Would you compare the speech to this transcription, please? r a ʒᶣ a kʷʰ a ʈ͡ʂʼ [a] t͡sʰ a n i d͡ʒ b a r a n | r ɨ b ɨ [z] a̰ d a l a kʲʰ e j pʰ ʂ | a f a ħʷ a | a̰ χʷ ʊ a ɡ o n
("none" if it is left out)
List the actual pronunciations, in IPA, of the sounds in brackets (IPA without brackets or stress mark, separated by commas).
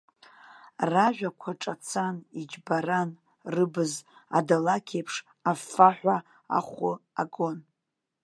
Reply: a, z